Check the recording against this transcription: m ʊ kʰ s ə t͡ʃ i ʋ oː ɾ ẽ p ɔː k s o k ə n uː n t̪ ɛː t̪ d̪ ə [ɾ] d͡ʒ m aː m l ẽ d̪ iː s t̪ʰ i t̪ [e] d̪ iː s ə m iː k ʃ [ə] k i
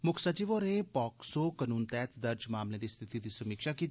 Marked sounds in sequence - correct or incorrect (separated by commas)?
correct, incorrect, incorrect